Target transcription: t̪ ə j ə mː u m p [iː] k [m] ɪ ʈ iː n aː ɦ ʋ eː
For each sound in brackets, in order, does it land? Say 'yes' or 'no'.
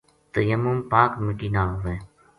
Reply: no, yes

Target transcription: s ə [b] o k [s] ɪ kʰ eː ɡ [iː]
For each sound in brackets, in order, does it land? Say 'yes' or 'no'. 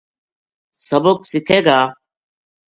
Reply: yes, yes, no

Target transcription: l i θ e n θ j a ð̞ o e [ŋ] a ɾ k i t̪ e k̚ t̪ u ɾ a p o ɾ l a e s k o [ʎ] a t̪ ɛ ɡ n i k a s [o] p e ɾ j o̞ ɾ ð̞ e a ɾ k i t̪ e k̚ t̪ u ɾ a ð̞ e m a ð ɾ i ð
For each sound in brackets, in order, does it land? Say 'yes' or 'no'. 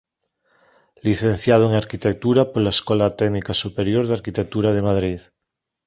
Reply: yes, no, no

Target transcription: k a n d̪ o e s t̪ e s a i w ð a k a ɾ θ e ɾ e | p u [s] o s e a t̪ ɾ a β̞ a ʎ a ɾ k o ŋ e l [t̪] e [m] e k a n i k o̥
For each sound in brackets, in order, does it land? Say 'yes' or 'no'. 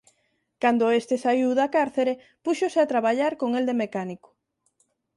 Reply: no, no, yes

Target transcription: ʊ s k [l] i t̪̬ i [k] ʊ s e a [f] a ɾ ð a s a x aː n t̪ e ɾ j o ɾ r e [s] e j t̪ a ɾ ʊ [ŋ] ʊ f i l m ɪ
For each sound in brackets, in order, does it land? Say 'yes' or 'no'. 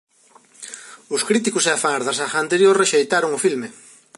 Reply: no, yes, yes, no, yes

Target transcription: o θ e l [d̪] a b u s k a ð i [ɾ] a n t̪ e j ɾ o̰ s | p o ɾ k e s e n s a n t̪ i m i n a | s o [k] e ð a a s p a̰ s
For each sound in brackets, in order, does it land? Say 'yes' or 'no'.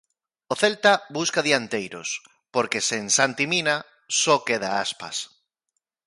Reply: no, no, yes

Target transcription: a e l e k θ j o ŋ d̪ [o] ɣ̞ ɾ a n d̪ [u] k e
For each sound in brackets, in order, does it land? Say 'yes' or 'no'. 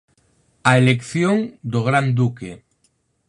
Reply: yes, yes

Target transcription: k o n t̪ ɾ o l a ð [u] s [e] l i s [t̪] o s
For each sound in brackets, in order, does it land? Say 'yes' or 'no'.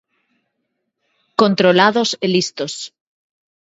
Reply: no, yes, yes

